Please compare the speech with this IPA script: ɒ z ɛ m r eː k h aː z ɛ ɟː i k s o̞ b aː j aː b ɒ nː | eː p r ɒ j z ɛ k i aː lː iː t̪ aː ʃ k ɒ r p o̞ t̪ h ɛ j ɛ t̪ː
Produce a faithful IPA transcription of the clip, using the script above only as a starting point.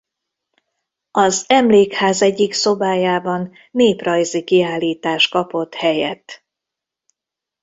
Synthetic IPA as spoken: ɒ z ɛ m l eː k h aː z ɛ ɟː i k s o̞ b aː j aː b ɒ nː | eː p r ɒ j z i k i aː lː iː t̪ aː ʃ k ɒ p o̞ t̪ h ɛ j ɛ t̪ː